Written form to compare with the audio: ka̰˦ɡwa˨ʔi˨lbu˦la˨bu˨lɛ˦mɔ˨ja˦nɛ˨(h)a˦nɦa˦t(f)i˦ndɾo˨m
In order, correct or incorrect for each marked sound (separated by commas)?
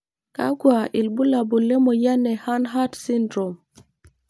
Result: correct, incorrect